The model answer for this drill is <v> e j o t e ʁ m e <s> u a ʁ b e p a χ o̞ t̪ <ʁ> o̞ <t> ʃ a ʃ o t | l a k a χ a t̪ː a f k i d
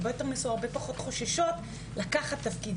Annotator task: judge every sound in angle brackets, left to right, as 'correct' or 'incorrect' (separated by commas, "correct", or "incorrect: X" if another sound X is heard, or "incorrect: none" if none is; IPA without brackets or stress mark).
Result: incorrect: b, correct, incorrect: χ, incorrect: none